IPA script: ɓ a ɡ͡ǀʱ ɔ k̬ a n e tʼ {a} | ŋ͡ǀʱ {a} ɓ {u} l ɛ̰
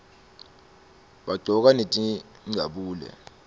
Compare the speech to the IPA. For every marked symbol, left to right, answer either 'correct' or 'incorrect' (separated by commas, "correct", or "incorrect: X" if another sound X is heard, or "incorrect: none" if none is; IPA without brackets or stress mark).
incorrect: i, correct, incorrect: uː